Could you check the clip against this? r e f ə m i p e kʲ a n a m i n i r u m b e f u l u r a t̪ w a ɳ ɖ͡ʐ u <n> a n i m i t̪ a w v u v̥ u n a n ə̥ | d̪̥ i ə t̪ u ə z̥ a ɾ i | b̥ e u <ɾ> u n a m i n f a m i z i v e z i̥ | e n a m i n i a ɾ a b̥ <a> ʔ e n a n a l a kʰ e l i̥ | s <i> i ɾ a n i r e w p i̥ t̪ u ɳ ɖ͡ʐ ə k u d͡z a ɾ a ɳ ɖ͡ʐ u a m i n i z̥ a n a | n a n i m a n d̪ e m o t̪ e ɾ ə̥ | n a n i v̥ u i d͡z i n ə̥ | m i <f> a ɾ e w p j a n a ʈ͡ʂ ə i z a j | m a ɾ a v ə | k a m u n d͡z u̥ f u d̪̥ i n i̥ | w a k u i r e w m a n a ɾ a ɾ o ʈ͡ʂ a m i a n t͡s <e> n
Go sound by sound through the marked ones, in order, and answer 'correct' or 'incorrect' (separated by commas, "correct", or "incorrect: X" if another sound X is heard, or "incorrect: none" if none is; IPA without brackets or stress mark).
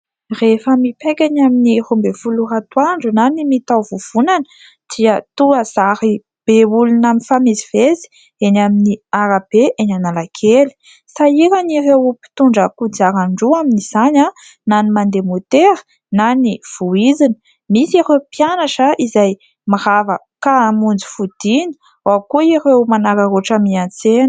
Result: correct, incorrect: l, incorrect: e, incorrect: a, incorrect: s, correct